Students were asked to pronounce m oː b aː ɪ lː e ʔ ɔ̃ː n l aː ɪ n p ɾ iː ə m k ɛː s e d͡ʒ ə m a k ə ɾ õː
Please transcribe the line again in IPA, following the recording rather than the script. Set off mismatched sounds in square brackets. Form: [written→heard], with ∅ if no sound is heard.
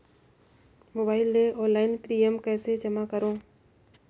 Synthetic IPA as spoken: m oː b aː ɪ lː e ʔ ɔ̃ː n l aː ɪ n p ɾ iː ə m k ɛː s e d͡ʒ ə m a k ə ɾ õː